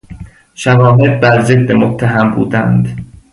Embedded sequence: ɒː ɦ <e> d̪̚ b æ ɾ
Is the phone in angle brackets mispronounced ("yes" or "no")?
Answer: no